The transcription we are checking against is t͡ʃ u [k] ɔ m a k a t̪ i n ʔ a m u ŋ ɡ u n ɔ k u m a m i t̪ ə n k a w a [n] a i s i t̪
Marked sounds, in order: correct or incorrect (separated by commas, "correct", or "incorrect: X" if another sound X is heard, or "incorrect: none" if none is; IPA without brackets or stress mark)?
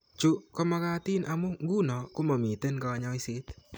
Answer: correct, incorrect: ɲ